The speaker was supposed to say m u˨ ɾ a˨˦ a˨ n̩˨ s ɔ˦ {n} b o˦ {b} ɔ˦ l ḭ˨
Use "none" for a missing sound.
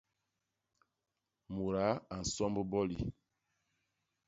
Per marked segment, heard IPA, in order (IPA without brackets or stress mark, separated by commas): m, b